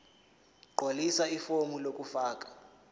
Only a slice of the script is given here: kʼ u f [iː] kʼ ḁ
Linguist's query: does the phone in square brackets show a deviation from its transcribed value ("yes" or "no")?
yes